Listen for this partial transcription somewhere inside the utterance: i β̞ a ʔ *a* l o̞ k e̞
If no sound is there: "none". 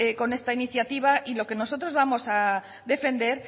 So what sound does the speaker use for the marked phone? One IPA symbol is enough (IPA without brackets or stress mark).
i